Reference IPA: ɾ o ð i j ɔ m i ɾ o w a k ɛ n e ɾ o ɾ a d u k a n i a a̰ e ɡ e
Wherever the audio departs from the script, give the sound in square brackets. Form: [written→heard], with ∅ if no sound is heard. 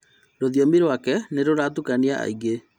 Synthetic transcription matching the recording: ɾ o ð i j ɔ m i ɾ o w a k ɛ n e ɾ o ɾ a [d→t] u k a n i a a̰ [e→i] ɡ e